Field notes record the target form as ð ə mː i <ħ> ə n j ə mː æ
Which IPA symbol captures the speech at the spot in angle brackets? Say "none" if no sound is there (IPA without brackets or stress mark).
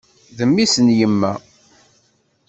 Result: s